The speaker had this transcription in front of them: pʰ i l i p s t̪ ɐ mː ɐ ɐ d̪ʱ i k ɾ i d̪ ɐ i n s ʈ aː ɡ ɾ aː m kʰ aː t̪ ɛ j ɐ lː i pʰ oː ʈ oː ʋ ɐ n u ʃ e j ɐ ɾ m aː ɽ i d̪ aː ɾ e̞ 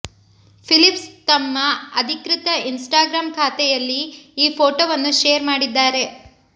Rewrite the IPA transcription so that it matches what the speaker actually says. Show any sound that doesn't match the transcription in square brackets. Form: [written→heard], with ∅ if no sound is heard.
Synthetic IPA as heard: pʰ i l i p s t̪ ɐ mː ɐ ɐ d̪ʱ i k ɾ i [d̪→t̪] ɐ i n s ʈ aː ɡ ɾ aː m kʰ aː t̪ ɛ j ɐ lː [i→iː] pʰ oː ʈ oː ʋ ɐ [n→nː] u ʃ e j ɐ ɾ m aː ɽ i [d̪→d̪ː] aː ɾ e̞